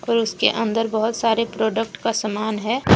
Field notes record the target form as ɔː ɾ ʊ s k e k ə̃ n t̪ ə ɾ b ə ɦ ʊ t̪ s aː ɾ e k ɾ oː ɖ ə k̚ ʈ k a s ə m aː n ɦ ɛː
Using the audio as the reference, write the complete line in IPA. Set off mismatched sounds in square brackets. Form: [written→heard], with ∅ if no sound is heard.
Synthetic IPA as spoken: ɔː ɾ ʊ s k e [k→ʔ] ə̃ n [t̪→d̪] ə ɾ b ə ɦ ʊ t̪ s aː ɾ e [k→p] ɾ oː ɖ ə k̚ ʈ k a s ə m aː n ɦ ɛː